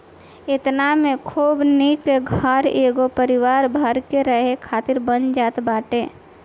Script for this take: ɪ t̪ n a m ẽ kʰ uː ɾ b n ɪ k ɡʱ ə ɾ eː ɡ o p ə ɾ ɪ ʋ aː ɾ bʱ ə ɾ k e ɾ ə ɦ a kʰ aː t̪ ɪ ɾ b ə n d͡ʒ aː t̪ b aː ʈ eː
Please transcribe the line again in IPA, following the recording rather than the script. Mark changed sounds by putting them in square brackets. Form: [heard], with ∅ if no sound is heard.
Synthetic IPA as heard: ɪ t̪ n a m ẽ kʰ uː [∅] b n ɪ k ɡʱ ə ɾ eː ɡ o p ə ɾ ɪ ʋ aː ɾ bʱ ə ɾ k e ɾ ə ɦ [e] kʰ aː t̪ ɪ ɾ b ə n d͡ʒ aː t̪ b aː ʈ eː